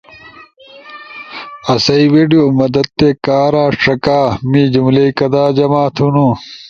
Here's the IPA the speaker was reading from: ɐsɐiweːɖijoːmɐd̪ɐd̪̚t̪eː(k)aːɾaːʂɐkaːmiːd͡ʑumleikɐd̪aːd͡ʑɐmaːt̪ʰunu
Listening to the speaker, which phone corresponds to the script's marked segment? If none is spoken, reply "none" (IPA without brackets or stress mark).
k